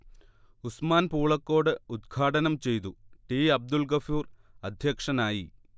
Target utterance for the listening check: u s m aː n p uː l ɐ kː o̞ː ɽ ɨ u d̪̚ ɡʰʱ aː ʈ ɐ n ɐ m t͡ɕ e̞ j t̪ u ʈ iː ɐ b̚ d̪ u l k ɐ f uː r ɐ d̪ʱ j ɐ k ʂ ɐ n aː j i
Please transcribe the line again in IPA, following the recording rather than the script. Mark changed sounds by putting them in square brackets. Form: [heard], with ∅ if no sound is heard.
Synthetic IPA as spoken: u s m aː n p uː [ɭ] ɐ kː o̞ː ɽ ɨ u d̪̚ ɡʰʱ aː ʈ ɐ n ɐ m t͡ɕ e̞ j t̪ u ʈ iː ɐ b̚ d̪ u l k ɐ f uː r ɐ d̪ʱ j ɐ k ʂ ɐ n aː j i